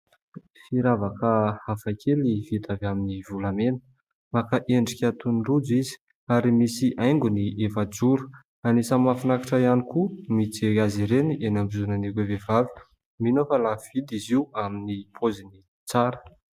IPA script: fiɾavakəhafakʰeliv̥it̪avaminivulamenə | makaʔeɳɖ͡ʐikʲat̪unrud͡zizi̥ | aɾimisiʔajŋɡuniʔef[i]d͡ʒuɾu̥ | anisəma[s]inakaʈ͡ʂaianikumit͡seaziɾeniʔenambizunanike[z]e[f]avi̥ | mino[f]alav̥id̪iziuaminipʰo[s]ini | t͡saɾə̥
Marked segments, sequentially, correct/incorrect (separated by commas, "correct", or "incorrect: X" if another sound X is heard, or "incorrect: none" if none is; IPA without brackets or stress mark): incorrect: a, incorrect: f, incorrect: v, incorrect: v, correct, incorrect: z